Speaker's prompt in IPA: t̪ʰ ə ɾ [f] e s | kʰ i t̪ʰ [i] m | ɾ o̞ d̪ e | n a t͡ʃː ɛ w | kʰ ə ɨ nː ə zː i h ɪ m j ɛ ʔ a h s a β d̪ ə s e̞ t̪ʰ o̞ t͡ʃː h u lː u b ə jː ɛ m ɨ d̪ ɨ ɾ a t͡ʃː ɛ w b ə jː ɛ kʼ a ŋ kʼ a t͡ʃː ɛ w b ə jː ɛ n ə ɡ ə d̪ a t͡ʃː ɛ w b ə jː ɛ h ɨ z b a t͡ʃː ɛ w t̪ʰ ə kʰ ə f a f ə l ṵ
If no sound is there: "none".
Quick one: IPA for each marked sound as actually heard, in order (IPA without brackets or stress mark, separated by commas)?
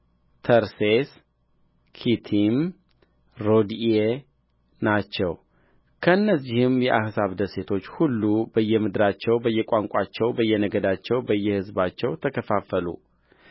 s, i